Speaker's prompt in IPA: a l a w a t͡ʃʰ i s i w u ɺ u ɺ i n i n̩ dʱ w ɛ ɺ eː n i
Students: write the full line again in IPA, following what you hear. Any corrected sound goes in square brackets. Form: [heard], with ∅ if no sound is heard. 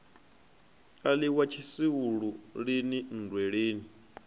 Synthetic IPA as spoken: a l [i] w a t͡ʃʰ i s i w u ɺ u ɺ i n i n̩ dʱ w ɛ ɺ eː n i